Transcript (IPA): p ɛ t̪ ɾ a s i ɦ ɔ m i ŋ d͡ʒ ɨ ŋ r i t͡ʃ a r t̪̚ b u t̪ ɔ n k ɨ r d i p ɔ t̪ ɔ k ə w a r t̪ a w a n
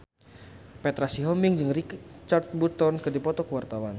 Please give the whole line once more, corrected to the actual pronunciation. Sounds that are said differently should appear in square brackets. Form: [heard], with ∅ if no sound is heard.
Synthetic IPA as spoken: p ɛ t̪ ɾ a s i ɦ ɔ m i ŋ d͡ʒ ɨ ŋ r i t͡ʃ a r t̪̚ b u t̪ ɔ n k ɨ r d i p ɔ t̪ ɔ k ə w a r t̪ a w a n